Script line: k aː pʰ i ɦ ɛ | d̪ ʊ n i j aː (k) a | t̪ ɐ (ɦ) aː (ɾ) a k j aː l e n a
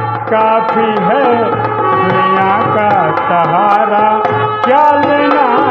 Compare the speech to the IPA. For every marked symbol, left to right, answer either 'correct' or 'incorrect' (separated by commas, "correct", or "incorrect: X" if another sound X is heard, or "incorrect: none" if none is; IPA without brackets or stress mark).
correct, correct, correct